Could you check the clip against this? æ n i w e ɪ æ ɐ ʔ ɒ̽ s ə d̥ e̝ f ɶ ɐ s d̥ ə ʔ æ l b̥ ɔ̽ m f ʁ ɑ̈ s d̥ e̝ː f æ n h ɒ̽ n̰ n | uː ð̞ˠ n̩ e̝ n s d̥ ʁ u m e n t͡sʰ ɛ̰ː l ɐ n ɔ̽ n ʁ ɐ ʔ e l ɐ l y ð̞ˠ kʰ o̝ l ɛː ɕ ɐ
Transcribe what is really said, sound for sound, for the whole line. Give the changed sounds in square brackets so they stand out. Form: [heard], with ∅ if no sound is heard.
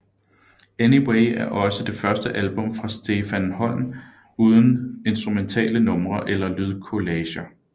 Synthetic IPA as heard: [e] n i w e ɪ æ ɐ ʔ ɒ̽ s ə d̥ e̝ f ɶ ɐ s d̥ ə ʔ æ l b̥ ɔ̽ m f ʁ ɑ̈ s d̥ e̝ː f æ n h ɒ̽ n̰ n | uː ð̞ˠ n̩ e̝ n s d̥ ʁ u m e n t͡sʰ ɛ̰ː l [ə] n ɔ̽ [m] ʁ ɐ ʔ e l ɐ l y ð̞ˠ kʰ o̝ l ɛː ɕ ɐ